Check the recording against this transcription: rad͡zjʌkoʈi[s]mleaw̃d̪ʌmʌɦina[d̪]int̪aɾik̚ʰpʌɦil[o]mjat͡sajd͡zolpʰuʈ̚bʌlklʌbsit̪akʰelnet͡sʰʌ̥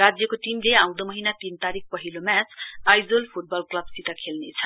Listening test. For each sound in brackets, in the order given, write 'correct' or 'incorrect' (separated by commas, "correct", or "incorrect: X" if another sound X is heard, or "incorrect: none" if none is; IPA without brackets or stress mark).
incorrect: none, incorrect: t̪, correct